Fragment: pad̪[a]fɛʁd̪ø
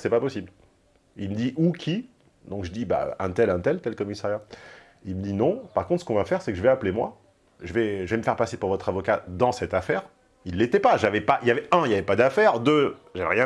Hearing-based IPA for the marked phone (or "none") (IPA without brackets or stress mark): a